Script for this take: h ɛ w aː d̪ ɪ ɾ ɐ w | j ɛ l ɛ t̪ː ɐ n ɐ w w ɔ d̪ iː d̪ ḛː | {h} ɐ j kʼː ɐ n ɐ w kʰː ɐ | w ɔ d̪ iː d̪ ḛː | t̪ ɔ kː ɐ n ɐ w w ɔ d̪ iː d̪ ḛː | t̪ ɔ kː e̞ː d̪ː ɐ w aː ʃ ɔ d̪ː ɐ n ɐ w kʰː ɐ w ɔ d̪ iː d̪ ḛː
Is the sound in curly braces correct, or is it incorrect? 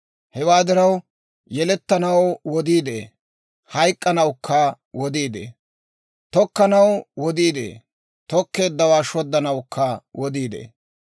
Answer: correct